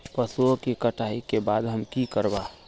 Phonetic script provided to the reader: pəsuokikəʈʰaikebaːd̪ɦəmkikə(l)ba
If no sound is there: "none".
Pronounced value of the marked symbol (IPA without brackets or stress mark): ɾ